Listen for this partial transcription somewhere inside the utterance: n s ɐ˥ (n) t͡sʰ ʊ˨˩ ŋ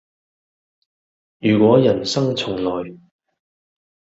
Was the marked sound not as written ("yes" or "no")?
yes